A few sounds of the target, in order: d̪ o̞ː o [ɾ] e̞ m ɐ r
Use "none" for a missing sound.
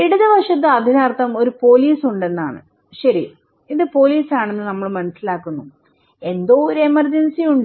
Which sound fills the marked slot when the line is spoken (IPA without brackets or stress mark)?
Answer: ɾ